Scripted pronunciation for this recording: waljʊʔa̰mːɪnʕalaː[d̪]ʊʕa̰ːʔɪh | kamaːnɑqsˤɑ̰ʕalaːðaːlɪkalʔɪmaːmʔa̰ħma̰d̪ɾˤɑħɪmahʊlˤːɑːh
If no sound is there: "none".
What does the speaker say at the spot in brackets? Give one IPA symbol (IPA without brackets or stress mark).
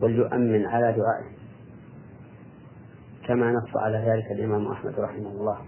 d̪